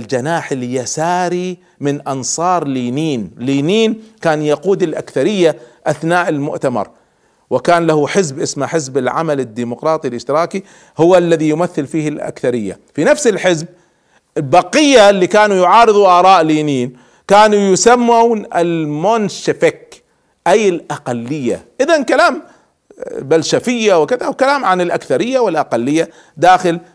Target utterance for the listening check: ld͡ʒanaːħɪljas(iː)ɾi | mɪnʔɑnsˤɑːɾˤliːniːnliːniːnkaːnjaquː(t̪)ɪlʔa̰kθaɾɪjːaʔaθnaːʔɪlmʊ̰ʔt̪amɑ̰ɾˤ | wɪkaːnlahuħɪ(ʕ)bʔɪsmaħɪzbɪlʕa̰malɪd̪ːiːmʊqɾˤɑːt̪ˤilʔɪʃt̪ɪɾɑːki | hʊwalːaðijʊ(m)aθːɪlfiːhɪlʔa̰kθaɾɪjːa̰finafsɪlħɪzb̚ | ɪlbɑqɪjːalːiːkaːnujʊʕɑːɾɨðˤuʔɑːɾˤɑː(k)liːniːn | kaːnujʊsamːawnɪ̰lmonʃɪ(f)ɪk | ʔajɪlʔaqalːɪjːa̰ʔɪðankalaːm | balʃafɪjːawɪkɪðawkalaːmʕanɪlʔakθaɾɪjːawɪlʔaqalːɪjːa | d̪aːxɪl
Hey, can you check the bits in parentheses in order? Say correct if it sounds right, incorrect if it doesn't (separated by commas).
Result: incorrect, incorrect, incorrect, correct, incorrect, correct